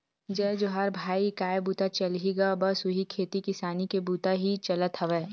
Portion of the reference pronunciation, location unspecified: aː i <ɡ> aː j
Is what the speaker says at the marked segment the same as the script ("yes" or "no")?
no